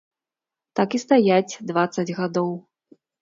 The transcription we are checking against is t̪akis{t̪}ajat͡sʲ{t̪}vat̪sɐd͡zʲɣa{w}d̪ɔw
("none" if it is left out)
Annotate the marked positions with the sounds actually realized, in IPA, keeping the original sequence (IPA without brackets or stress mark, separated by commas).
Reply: t̪, d̪, none